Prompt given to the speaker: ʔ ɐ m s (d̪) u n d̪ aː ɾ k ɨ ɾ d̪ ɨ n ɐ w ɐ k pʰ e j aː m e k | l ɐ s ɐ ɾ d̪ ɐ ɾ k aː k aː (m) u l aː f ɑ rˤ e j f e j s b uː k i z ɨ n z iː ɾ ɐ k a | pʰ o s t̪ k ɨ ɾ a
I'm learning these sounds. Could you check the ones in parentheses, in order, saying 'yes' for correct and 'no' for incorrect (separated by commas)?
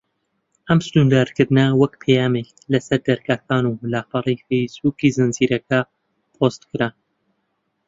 no, no